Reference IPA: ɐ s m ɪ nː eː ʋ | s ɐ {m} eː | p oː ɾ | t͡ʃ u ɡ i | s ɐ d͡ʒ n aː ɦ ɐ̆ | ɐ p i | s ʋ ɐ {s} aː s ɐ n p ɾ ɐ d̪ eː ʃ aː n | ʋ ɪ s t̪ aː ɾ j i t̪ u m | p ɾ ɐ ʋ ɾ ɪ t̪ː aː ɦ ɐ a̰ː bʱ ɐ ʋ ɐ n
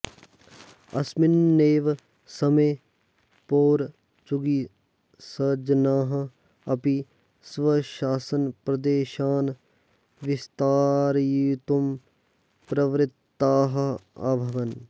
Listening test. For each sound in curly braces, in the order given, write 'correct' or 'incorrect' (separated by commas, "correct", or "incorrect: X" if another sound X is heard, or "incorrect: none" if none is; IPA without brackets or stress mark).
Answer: correct, incorrect: ʃ